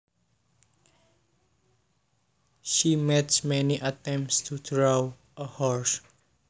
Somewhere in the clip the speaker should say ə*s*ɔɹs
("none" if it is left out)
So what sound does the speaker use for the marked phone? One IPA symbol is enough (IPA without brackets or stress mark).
h